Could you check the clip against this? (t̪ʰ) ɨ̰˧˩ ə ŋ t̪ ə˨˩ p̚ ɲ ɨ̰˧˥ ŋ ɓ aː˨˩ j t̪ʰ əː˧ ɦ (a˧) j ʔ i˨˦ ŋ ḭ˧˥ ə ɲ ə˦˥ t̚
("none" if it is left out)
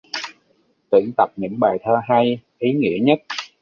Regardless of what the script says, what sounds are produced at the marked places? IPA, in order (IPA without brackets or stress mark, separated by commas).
t̪, a˧